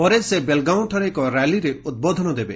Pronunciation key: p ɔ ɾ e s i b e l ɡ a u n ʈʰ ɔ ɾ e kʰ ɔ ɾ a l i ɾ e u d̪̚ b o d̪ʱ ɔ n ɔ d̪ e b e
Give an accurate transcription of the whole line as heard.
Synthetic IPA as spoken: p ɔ ɾ e s e b e l ɡ a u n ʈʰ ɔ ɾ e k ɔ ɾ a l i ɾ e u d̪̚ b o d̪ʱ ɔ n ɔ d̪ e b e